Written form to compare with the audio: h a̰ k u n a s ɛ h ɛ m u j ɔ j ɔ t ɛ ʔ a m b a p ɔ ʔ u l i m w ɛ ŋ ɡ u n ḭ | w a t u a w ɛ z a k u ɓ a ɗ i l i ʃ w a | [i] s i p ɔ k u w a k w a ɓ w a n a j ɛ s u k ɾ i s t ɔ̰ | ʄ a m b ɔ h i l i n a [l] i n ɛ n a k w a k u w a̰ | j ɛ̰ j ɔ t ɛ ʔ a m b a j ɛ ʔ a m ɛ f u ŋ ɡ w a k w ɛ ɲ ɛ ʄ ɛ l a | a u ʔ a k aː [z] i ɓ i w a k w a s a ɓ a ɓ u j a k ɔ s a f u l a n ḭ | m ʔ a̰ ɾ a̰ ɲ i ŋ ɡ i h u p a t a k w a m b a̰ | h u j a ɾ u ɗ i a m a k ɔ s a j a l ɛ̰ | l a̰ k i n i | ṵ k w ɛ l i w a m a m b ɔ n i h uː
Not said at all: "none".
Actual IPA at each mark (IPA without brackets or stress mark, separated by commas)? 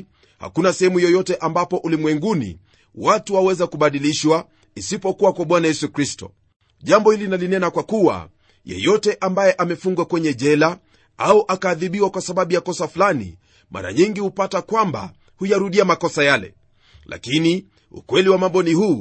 i, l, ð